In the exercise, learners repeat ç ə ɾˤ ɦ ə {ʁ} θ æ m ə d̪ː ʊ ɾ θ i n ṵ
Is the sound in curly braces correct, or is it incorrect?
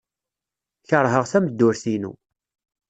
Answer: correct